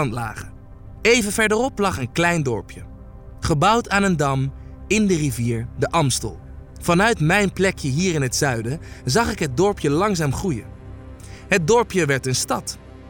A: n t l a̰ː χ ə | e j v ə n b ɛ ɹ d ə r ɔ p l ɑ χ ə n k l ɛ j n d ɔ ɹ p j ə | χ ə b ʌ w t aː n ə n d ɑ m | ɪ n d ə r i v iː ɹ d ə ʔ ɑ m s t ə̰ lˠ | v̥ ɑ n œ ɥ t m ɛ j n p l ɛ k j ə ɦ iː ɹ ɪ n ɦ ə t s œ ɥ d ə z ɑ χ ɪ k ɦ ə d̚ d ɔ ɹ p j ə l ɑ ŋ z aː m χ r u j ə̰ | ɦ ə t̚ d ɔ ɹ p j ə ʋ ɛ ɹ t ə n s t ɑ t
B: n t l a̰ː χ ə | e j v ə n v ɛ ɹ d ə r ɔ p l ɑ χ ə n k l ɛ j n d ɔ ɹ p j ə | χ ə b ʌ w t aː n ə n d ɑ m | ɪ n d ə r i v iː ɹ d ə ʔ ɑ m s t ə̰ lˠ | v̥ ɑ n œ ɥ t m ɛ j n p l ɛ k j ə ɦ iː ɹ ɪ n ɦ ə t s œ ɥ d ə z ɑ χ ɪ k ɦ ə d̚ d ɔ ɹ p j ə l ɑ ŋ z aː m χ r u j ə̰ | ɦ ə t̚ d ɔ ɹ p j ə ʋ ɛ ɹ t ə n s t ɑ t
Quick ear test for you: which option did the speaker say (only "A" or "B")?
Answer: B